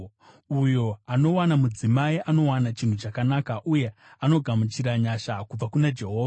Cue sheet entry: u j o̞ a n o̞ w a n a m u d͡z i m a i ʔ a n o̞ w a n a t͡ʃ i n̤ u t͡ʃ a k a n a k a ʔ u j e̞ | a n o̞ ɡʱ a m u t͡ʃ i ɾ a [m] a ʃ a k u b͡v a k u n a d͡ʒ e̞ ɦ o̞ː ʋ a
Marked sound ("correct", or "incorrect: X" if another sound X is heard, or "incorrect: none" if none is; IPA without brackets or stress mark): incorrect: ɲ